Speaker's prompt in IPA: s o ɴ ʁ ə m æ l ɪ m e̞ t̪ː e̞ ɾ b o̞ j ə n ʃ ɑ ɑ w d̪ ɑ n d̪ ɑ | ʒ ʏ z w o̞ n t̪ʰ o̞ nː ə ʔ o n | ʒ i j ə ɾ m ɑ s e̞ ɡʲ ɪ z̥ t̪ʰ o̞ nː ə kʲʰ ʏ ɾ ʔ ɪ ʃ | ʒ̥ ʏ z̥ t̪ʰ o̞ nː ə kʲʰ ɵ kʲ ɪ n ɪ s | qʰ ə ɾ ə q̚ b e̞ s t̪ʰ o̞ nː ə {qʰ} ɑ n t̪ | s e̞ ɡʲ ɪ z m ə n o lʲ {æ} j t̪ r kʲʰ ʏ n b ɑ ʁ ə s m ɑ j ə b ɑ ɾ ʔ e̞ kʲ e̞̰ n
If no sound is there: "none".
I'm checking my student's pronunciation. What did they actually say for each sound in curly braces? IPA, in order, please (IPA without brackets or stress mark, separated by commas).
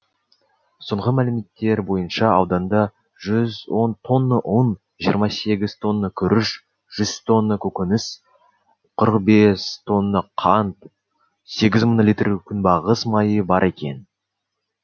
qʰ, i